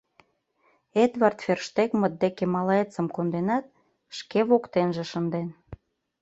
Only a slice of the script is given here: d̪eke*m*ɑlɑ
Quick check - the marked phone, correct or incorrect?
correct